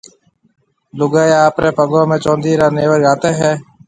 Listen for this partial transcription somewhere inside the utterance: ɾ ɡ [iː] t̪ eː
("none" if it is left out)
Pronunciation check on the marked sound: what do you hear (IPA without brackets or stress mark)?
aː